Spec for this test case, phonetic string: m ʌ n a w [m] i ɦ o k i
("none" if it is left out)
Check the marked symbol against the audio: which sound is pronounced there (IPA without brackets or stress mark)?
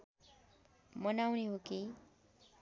n